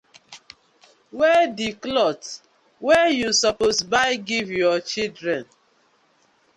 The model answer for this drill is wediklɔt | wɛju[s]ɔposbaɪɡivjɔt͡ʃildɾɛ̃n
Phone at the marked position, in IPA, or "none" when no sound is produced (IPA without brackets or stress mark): s